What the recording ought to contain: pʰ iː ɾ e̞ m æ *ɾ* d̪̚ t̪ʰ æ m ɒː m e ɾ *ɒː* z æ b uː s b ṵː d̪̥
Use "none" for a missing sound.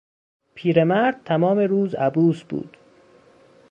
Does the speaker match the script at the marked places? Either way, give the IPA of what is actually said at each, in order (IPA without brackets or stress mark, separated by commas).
ɾ, uː